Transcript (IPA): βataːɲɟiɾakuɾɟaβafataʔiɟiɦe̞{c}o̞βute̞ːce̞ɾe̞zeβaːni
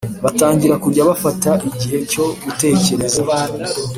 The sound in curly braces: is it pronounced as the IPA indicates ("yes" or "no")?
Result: yes